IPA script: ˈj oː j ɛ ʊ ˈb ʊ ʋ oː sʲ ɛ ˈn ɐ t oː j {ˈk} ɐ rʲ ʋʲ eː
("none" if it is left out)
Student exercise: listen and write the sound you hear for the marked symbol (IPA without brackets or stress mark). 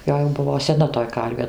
k